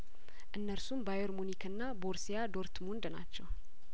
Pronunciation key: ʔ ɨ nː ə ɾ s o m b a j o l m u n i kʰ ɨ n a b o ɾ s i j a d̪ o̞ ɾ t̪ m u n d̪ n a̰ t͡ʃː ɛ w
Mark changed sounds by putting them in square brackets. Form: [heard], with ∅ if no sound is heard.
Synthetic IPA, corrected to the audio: ʔ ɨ nː ə ɾ s [u] m b a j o [ɾ] m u n i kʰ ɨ [nː] a b o ɾ s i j a d̪ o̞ ɾ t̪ m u n d̪ n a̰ t͡ʃː ɛ w